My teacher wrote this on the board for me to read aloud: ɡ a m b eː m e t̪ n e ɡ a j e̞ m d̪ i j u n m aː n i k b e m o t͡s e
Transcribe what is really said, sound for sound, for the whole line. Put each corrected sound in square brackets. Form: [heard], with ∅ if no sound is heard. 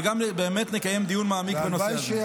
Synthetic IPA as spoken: ɡ a m b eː m e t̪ n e [k] a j e̞ m d̪ i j u n m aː [m] i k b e [n] o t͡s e